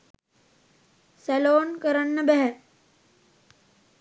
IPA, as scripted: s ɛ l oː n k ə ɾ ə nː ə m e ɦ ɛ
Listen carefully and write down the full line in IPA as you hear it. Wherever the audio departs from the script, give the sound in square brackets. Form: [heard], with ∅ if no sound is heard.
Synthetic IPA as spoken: s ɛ l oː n k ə ɾ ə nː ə [b] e ɦ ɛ

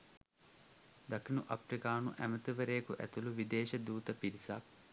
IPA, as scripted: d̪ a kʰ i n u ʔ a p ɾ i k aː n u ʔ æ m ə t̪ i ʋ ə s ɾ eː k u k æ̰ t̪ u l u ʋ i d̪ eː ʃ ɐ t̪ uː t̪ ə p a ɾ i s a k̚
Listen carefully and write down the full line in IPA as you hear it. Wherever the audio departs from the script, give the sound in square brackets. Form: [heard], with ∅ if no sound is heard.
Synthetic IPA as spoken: d̪ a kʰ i n u ʔ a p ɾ i k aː n u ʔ æ m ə t̪ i ʋ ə [∅] ɾ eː k u [ʔ] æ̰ t̪ u l u ʋ i d̪ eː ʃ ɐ [d̪] uː t̪ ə p [i] ɾ i s a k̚

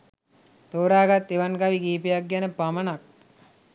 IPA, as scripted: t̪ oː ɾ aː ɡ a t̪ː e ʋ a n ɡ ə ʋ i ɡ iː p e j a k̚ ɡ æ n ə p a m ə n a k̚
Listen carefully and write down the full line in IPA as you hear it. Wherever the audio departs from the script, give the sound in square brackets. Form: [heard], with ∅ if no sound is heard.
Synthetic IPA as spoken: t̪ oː ɾ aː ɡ a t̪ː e ʋ a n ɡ [a] ʋ i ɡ iː p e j a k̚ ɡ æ n ə p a m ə n a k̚

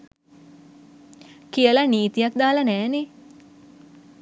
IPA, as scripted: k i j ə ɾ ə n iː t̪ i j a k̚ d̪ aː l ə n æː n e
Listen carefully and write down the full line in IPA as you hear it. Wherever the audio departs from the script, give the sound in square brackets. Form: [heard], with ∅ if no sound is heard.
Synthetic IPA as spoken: k i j ə [l] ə n iː t̪ i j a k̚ d̪ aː l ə n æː n e

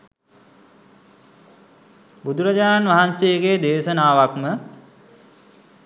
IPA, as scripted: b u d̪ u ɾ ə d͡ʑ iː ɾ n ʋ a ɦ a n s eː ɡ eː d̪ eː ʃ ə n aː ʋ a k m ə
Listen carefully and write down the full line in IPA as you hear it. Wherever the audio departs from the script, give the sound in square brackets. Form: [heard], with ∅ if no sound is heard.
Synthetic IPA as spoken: b u d̪ u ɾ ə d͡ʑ [aː] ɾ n ʋ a ɦ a n s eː ɡ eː d̪ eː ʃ ə n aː ʋ a k m ə

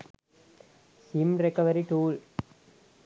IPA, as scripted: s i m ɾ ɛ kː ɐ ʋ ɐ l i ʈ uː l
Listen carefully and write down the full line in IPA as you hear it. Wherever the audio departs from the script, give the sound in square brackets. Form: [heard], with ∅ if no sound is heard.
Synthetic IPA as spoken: s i m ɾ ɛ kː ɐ ʋ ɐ [ɾ] i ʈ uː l

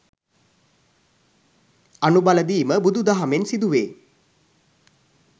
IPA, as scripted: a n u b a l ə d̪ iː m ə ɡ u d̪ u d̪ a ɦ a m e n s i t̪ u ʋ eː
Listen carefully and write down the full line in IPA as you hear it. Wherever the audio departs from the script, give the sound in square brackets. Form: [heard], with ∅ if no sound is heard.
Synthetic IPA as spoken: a n u b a l ə d̪ iː m ə [b] u d̪ u d̪ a ɦ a m e n s i [d̪] u ʋ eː

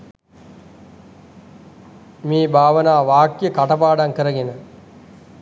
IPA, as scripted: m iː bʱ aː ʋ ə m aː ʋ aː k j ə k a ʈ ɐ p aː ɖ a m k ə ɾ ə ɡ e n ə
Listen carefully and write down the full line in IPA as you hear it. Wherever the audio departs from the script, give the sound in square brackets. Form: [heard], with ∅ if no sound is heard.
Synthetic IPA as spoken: m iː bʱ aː ʋ ə [n] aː ʋ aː k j ə k a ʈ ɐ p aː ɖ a [ŋ] k ə ɾ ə ɡ e n ə

